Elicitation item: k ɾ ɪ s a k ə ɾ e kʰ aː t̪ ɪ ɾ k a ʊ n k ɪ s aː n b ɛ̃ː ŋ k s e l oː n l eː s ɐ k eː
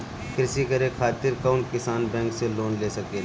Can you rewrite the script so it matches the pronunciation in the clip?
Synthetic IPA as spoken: k ɾ ɪ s i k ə ɾ e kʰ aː t̪ ɪ ɾ k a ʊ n k ɪ s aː n b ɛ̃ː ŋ k s e l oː n l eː s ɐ k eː